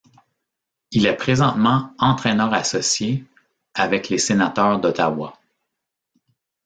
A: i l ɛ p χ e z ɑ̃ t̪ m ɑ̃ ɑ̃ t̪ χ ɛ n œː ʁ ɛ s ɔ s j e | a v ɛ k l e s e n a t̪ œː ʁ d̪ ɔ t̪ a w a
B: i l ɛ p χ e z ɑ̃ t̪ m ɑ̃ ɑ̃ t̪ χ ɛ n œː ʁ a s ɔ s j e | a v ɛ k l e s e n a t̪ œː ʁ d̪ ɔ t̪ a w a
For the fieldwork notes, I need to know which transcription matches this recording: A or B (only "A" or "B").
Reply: B